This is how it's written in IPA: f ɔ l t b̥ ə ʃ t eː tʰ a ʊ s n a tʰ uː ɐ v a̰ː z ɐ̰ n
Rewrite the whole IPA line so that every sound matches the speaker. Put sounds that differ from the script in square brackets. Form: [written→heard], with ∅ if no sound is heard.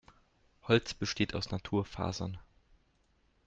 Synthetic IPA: [f→h] ɔ l [t→t͡s] b̥ ə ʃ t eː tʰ a ʊ s n a tʰ uː ɐ [v→f] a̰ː z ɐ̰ n

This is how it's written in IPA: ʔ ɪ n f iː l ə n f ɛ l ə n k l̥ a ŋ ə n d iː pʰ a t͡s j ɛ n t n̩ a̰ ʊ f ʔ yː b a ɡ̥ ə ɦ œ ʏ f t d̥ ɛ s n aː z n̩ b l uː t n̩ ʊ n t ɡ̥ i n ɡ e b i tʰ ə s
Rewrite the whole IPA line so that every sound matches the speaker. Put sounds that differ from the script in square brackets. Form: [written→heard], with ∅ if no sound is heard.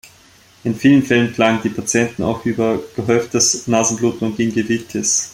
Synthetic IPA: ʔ ɪ n f iː l ə n f ɛ l ə n k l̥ a ŋ ə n d iː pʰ a t͡s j ɛ n t n̩ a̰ ʊ [f→x] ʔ yː b [a→ɐ] ɡ̥ ə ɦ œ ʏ f t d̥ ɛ s n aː z n̩ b l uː t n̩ ʊ n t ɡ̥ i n ɡ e [b→v] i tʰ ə s

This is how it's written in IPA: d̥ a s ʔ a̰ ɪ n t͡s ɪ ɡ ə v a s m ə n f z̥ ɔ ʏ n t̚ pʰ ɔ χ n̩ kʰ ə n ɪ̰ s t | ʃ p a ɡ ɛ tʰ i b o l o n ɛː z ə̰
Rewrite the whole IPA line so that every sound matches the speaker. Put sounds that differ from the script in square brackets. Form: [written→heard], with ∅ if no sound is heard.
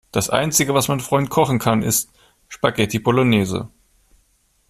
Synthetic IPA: d̥ a s ʔ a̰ ɪ n t͡s ɪ ɡ ə v a s m [ə→a] n f [z̥→ʁ̥] ɔ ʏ n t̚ [pʰ→kʰ] ɔ χ n̩ kʰ [ə→a] n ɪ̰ s t | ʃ p a ɡ ɛ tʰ i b o l o n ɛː z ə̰

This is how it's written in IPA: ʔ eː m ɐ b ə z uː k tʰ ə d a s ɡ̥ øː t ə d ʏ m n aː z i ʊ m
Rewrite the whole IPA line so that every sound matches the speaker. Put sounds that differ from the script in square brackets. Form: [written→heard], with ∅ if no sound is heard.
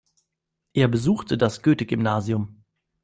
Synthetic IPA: ʔ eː [m→∅] ɐ b ə z uː [k→x] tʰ ə d a s ɡ̥ øː t ə [d→ɡ] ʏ m n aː z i ʊ m

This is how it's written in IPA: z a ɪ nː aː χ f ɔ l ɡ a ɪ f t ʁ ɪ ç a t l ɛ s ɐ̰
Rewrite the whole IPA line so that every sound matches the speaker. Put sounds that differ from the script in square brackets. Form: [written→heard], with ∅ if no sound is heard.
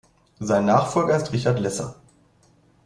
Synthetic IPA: z a ɪ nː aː χ f ɔ l ɡ [a→ɐ] ɪ [f→s] t ʁ ɪ ç a t l ɛ s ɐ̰

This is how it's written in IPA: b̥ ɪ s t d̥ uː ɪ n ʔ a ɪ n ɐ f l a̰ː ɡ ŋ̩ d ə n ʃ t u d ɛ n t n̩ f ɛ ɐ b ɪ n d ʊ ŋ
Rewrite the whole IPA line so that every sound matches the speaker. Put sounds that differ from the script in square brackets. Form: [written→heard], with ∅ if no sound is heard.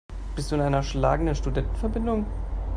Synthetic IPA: b̥ ɪ s t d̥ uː ɪ n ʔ a ɪ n ɐ [f→ʃ] l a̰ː ɡ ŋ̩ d ə n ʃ t u d ɛ n t n̩ f ɛ ɐ b ɪ n d ʊ ŋ

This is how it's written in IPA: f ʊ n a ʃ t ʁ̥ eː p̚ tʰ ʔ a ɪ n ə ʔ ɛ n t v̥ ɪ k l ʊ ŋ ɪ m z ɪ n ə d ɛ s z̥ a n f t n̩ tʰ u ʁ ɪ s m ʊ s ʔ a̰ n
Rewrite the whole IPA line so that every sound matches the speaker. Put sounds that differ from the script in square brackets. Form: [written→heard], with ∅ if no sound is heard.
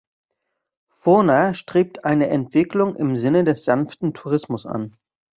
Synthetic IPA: f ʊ n a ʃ t ʁ̥ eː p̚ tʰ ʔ a ɪ n ə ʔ ɛ n t v̥ ɪ k l ʊ ŋ ɪ m z ɪ n ə d ɛ s z̥ a n f t n̩ tʰ u ʁ ɪ s m ʊ s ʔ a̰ n

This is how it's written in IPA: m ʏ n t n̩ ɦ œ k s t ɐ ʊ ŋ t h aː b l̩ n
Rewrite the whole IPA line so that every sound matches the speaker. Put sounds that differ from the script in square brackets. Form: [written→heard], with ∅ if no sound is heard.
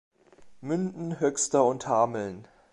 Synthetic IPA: m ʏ n [t→d] n̩ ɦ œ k s t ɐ ʊ [ŋ→n] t h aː [b→m] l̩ n

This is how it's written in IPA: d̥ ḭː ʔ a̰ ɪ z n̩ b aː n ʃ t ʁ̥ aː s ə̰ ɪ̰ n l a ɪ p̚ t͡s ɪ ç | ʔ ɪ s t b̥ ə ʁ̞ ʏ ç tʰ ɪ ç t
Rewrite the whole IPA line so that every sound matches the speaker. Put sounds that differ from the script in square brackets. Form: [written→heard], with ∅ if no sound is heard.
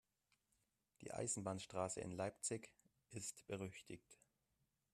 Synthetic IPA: d̥ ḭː ʔ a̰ ɪ z n̩ b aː n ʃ t ʁ̥ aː s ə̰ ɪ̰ n l a ɪ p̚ t͡s ɪ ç | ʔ ɪ s t b̥ ə ʁ̞ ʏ ç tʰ ɪ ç t

